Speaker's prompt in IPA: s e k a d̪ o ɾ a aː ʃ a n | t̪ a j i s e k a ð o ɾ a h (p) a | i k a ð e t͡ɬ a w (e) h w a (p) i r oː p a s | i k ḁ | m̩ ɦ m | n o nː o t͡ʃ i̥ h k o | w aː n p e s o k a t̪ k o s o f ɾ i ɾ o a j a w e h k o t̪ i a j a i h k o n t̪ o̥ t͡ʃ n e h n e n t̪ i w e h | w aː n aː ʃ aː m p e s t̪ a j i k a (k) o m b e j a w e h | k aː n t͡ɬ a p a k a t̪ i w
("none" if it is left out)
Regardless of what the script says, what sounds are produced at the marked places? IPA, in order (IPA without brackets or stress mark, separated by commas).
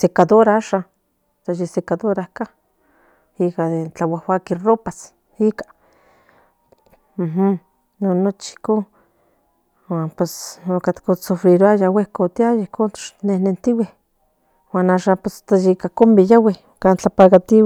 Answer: k, a, k, k